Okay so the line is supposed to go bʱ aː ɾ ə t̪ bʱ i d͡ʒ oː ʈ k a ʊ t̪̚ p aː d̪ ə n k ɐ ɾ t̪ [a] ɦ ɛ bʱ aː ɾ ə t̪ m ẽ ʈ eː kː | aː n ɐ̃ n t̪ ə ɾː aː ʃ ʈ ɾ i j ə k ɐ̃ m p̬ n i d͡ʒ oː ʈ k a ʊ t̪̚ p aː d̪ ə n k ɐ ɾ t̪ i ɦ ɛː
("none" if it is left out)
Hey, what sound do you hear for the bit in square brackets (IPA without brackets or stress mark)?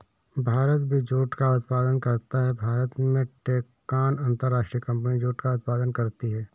a